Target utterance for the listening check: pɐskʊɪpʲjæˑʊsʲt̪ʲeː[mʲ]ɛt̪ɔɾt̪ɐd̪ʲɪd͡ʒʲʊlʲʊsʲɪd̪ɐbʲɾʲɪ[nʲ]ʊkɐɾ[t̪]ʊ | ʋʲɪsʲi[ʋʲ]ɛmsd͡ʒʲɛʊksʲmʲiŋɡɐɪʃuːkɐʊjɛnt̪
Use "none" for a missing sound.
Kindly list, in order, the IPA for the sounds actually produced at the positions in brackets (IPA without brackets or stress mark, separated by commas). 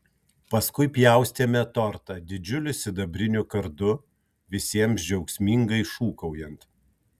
mʲ, nʲ, d̪, none